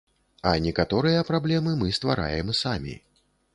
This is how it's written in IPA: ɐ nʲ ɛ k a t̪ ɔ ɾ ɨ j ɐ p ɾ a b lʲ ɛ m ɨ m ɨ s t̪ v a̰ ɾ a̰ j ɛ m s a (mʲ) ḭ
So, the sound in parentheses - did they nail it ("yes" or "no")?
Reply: yes